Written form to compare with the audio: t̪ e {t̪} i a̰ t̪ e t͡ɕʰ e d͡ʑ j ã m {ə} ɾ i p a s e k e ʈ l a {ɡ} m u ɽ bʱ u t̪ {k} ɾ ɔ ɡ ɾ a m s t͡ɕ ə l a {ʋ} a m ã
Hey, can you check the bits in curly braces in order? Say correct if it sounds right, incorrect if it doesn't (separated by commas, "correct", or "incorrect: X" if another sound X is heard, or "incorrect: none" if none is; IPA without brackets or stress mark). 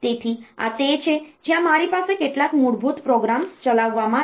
incorrect: t̪ʰ, incorrect: a, incorrect: k, incorrect: p, incorrect: ʋː